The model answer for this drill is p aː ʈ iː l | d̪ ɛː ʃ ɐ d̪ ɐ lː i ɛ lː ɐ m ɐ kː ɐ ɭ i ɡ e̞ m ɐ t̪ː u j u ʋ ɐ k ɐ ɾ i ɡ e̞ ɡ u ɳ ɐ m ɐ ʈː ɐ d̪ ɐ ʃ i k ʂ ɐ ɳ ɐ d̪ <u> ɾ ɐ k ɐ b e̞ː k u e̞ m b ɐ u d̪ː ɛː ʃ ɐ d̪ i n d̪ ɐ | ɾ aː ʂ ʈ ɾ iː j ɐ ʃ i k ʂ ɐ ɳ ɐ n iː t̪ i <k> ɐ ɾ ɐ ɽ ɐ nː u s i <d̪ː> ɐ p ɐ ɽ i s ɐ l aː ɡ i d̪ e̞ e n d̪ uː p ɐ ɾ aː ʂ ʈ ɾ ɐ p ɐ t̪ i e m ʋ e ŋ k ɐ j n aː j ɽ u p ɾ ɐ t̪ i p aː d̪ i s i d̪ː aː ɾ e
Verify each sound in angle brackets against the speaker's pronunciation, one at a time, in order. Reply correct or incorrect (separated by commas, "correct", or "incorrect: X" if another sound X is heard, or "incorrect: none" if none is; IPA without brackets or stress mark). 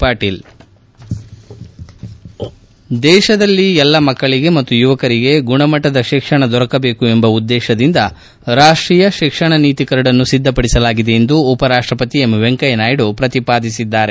incorrect: ɔ, correct, correct